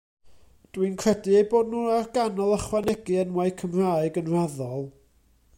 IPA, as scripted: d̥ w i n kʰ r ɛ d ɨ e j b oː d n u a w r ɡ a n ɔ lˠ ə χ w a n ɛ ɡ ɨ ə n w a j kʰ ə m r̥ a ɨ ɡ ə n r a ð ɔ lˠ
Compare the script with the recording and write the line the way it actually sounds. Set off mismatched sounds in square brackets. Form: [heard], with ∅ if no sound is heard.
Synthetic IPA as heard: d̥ w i n kʰ r ɛ d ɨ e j b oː d n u a [∅] r ɡ a n ɔ lˠ ə χ w a n ɛ ɡ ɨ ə n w a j kʰ ə m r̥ a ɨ ɡ ə n r a ð ɔ lˠ